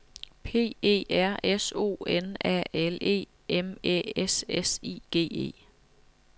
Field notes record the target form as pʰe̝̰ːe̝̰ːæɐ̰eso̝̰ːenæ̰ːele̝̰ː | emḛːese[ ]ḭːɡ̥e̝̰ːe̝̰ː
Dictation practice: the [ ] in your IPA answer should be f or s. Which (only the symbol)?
s